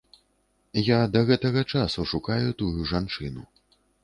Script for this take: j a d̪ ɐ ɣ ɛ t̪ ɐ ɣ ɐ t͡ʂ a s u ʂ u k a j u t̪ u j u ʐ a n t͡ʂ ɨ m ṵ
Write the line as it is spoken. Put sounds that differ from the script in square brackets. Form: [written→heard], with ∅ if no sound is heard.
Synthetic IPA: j a d̪ ɐ ɣ ɛ t̪ ɐ ɣ ɐ t͡ʂ a s u ʂ u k a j u t̪ u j u ʐ a n t͡ʂ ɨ [m→n] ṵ